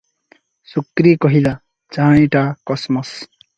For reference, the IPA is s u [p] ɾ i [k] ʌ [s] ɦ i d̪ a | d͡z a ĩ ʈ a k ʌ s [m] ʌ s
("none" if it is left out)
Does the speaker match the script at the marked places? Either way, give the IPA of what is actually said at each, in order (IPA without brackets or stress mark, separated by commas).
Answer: k, k, none, m